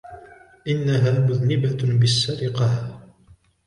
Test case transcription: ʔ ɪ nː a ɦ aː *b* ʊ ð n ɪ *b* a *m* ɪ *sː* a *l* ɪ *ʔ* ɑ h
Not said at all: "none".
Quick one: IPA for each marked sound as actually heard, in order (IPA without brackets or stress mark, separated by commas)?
m, b, b, sː, ɾ, q